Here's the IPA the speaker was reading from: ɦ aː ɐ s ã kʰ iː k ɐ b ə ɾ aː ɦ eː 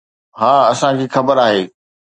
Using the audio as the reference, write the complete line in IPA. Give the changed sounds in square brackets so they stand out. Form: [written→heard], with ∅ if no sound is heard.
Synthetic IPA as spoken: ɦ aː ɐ s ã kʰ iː [k→x] ɐ b ə ɾ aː ɦ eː